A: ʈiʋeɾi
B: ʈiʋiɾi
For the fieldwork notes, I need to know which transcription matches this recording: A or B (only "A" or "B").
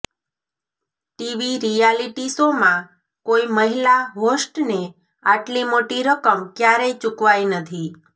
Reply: B